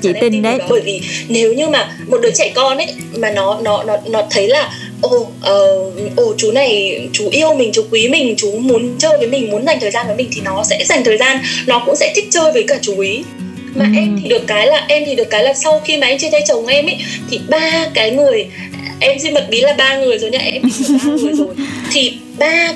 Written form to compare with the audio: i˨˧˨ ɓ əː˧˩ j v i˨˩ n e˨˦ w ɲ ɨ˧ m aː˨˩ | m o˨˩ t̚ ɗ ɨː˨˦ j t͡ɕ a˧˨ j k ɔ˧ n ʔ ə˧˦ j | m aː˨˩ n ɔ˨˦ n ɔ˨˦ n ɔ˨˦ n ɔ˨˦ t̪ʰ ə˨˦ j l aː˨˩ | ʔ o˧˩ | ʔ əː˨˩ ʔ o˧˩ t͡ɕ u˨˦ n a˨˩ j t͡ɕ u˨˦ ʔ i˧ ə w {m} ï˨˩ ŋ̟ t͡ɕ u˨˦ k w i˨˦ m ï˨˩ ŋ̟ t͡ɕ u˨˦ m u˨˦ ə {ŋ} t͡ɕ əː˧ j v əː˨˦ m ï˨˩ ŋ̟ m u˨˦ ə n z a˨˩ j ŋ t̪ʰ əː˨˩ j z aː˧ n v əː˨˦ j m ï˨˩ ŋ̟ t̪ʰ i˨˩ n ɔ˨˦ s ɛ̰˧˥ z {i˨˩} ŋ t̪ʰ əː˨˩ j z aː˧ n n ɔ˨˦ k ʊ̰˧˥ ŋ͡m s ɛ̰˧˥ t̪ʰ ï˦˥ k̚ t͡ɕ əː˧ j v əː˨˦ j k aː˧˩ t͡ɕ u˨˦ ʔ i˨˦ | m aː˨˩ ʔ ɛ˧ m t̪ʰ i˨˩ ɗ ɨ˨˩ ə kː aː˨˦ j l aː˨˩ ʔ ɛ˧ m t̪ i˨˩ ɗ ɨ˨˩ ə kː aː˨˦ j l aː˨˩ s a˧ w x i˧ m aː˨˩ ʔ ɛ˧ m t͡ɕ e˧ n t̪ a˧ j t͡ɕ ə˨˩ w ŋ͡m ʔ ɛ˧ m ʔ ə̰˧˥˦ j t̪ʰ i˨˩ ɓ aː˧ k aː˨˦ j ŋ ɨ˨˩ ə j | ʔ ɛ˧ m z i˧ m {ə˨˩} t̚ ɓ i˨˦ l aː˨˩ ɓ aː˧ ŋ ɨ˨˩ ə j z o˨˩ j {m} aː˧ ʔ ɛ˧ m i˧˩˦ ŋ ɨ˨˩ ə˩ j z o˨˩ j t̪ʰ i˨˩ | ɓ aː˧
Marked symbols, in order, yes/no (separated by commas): yes, no, no, yes, no